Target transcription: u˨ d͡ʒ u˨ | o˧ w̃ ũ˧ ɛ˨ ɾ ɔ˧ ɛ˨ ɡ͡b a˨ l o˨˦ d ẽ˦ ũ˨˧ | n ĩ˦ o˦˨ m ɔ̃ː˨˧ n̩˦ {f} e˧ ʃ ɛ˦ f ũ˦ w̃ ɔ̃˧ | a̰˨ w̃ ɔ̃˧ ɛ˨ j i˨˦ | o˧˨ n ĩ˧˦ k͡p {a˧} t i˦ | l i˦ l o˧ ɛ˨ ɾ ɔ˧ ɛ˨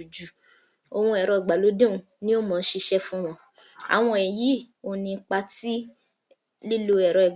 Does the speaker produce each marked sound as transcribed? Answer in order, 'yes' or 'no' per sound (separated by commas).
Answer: no, yes